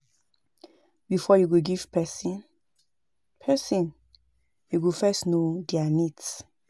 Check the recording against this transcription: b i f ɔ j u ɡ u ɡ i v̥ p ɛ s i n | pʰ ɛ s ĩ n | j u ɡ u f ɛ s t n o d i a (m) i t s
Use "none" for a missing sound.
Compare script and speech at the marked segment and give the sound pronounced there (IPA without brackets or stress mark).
n